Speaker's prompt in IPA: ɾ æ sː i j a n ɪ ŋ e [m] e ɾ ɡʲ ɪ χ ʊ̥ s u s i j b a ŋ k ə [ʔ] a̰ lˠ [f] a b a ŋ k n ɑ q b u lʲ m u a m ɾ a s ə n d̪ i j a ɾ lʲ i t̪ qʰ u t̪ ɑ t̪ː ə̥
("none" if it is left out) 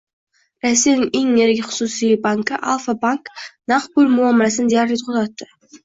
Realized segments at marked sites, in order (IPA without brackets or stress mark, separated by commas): ŋ, ʔ, f